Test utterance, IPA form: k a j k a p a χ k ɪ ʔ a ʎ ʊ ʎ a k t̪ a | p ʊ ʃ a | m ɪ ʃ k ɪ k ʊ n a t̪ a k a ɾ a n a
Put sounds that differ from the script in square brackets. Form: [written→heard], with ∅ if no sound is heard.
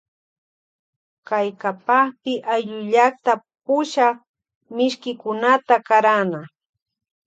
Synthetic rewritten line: k a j k a p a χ [k→p] ɪ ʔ a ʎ ʊ ʎ a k t̪ a | p ʊ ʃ a | m ɪ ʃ k ɪ k ʊ n a t̪ a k a ɾ a n a